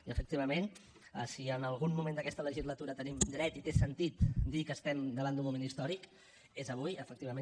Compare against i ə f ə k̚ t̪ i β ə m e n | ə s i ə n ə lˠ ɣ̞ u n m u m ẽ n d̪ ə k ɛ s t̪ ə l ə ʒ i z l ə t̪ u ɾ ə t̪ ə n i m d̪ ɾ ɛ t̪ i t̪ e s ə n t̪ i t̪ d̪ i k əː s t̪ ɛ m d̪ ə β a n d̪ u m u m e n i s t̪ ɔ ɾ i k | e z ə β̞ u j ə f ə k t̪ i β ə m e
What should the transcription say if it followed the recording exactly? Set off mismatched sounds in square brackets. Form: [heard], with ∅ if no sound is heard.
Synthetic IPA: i ə f ə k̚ t̪ i β ə m e n | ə s i ə n ə lˠ ɣ̞ u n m u m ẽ n d̪ ə k ɛ s t̪ ə l ə ʒ i z l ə t̪ u ɾ ə t̪ ə n i m d̪ ɾ ɛ t̪ i t̪ e s ə n t̪ i t̪ d̪ i k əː s t̪ ɛ m d̪ ə β a n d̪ u m u m e n i s t̪ ɔ ɾ i k | e z ə β̞ u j ə f ə k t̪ i β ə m e